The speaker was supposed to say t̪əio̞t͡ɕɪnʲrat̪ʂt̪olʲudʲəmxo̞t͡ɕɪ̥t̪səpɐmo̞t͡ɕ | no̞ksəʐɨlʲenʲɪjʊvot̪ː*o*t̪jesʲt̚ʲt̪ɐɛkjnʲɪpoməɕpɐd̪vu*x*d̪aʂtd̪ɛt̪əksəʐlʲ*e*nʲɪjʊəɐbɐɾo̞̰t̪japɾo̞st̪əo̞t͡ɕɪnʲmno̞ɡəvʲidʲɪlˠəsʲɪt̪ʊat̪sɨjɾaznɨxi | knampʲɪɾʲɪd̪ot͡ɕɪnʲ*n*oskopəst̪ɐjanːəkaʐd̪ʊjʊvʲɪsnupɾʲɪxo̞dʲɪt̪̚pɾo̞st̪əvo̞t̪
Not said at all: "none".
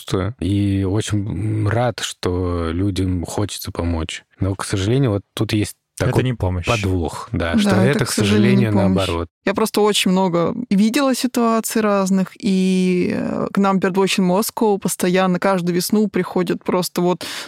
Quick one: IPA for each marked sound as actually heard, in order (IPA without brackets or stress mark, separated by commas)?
u, x, e, m